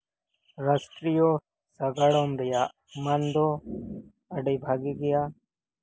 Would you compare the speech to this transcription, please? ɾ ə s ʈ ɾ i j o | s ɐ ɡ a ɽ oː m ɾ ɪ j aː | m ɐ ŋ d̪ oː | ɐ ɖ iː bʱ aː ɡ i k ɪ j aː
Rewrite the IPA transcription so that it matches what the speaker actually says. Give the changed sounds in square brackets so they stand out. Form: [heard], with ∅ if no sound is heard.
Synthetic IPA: ɾ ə s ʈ ɾ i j o | s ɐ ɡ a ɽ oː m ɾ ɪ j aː | m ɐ [n] d̪ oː | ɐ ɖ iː bʱ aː ɡ i [ɡ] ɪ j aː